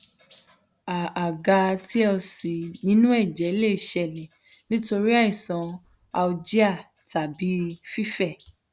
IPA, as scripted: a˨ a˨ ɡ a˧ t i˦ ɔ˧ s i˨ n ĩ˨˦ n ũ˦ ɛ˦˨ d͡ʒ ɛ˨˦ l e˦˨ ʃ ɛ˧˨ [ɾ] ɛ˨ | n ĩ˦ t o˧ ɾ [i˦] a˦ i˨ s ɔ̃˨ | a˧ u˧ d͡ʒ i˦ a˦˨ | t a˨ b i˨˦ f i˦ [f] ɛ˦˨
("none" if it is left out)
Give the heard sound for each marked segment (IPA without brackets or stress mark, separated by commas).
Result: l, i˦, f